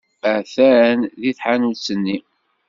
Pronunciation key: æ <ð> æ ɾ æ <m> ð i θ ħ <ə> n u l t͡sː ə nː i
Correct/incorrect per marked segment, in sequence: incorrect, incorrect, incorrect

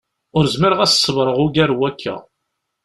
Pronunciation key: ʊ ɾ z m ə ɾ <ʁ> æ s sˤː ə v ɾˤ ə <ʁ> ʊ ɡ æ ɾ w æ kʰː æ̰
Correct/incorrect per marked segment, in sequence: correct, correct

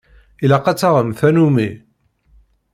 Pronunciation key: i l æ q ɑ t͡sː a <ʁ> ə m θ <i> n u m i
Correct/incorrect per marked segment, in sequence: correct, incorrect

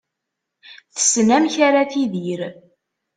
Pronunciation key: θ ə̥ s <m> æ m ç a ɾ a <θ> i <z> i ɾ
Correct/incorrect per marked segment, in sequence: incorrect, correct, incorrect

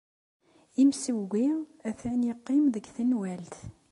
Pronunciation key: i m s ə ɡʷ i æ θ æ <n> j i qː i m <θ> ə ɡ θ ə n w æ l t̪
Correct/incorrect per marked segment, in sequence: correct, incorrect

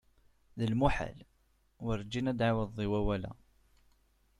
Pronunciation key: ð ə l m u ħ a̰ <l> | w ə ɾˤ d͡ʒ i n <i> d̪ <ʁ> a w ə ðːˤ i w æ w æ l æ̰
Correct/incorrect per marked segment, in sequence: correct, incorrect, incorrect

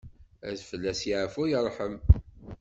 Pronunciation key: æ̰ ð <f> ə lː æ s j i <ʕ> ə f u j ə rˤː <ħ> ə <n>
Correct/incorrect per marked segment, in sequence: correct, correct, correct, incorrect

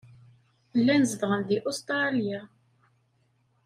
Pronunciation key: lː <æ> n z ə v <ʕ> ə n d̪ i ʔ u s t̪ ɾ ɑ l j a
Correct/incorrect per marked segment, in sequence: correct, incorrect

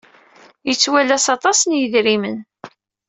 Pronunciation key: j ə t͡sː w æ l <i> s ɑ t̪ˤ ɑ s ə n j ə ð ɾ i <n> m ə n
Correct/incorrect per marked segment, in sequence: incorrect, incorrect

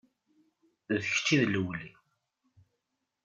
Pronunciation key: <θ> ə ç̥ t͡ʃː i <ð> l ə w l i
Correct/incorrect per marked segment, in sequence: incorrect, correct

